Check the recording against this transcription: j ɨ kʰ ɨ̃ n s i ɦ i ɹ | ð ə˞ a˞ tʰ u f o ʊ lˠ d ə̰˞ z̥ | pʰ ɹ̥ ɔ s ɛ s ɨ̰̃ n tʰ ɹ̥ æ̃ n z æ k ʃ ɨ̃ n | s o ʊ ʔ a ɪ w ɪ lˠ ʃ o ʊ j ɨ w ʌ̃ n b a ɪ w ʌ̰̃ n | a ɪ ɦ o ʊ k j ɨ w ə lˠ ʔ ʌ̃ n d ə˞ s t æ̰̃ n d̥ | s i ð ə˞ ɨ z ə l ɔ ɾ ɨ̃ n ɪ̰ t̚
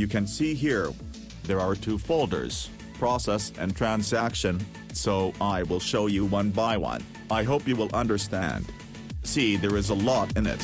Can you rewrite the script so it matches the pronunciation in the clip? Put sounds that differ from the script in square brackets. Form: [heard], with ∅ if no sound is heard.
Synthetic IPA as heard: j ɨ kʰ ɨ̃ n s i ɦ i ɹ | ð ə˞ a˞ tʰ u f o ʊ lˠ d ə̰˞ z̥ | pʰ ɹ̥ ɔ s ɛ s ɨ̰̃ n tʰ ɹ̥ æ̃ n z æ k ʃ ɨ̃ n | s o ʊ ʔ a ɪ w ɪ lˠ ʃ o ʊ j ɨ w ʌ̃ n b a ɪ w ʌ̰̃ n | a ɪ ɦ o ʊ [p] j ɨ w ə lˠ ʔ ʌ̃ n d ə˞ s t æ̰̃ n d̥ | s i ð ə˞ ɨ z ə l ɔ ɾ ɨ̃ n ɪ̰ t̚

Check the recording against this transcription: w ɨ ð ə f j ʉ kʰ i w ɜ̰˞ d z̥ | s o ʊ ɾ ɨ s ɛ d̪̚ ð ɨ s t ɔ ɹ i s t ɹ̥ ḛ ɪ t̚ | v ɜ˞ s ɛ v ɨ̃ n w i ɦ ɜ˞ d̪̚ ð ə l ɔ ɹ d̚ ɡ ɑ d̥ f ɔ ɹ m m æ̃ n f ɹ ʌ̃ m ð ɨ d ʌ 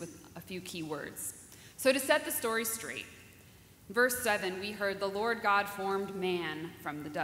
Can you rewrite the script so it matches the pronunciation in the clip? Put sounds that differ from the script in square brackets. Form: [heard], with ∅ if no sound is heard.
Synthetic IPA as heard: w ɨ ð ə f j ʉ kʰ i w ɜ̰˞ d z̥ | s o ʊ ɾ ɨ s ɛ [t̪̚] ð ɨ s t ɔ ɹ i s t ɹ̥ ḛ ɪ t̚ | v ɜ˞ s ɛ v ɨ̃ n w i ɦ ɜ˞ d̪̚ ð ə l ɔ ɹ d̚ ɡ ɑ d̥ f ɔ ɹ m m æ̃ n f ɹ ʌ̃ m ð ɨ d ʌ

